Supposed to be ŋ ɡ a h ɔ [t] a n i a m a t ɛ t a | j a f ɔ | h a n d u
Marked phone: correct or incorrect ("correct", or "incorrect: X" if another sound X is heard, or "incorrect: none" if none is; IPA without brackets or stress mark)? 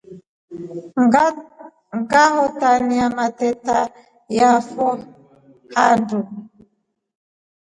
correct